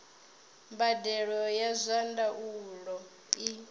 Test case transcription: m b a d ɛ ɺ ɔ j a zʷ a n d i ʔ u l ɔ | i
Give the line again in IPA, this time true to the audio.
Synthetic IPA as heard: m b a d ɛ ɺ ɔ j a zʷ a n d a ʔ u l ɔ | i